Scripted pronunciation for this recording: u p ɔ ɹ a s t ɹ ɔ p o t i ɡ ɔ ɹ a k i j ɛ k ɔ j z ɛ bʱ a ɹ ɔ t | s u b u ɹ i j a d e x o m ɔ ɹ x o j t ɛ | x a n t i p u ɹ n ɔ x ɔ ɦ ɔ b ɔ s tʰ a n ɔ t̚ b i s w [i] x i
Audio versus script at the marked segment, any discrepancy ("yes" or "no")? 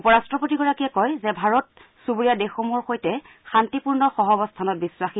yes